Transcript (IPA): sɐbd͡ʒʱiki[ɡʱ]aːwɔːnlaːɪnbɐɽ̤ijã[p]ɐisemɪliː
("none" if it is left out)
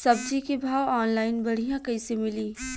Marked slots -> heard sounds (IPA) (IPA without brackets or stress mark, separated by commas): bʱ, k